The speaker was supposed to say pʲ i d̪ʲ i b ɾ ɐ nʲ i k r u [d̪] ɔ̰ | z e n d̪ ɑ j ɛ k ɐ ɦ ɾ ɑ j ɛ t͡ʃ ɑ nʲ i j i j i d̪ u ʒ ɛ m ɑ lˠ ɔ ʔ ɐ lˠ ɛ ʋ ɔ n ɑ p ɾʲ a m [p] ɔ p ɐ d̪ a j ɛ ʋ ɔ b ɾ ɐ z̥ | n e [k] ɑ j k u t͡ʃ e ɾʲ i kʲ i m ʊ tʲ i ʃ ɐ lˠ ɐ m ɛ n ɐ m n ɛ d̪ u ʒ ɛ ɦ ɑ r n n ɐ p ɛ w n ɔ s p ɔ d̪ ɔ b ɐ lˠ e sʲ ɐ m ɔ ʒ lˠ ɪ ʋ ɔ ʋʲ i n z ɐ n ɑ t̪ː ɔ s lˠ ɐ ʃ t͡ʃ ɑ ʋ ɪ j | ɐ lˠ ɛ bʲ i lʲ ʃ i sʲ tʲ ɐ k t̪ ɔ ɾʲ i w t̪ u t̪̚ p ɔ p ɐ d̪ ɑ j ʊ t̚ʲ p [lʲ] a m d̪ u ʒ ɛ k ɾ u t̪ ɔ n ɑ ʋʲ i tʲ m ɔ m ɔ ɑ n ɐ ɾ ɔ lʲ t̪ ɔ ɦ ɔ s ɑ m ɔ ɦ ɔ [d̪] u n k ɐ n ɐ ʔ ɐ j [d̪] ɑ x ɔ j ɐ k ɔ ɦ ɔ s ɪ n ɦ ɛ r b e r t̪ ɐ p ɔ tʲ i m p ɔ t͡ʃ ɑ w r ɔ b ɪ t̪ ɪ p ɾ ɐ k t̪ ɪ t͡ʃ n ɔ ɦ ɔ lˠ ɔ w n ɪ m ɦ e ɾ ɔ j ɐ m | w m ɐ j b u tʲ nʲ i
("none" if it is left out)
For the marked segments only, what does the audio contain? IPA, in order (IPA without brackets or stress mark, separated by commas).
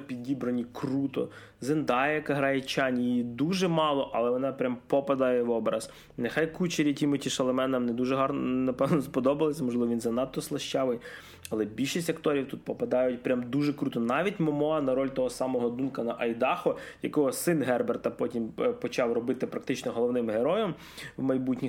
t̪, p, x, ɾʲ, d̪, d̪